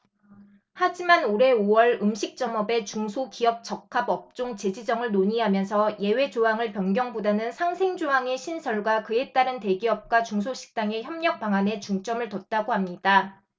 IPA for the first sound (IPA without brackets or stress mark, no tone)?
h